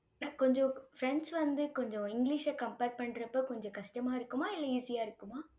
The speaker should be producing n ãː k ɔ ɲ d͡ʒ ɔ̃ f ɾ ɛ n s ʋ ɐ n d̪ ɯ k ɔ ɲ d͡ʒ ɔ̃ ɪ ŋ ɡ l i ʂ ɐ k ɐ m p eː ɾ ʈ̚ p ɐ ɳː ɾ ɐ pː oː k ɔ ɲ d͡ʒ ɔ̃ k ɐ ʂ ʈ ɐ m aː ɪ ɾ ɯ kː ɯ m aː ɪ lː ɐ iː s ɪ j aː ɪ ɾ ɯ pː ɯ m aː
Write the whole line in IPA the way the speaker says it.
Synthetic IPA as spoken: n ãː k ɔ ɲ d͡ʒ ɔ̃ f ɾ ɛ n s ʋ ɐ n d̪ ɯ k ɔ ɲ d͡ʒ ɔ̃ ɪ ŋ ɡ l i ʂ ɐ k ɐ m p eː ɾ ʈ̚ p ɐ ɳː ɾ ɐ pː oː k ɔ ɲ d͡ʒ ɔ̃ k ɐ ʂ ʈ ɐ m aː ɪ ɾ ɯ kː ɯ m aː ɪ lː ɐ iː s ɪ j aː ɪ ɾ ɯ kː ɯ m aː